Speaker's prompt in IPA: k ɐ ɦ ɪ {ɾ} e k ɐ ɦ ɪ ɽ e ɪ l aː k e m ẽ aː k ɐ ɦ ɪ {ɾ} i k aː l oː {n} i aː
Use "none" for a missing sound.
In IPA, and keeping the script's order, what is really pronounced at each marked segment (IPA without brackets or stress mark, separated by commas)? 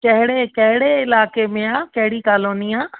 ɽ, ɽ, n